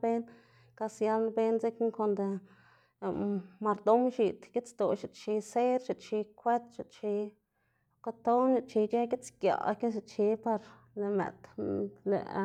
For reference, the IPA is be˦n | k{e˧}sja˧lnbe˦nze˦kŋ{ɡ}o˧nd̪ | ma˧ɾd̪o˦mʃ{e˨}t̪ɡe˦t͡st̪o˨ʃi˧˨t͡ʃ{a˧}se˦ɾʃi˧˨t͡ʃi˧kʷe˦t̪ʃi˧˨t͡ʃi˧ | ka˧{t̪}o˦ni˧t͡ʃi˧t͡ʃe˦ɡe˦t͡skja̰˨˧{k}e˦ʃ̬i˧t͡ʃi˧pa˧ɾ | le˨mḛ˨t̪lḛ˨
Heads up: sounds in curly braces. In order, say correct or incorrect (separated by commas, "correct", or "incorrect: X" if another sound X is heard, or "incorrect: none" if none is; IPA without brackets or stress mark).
incorrect: a˧, incorrect: k, incorrect: i˨, incorrect: i˧, correct, correct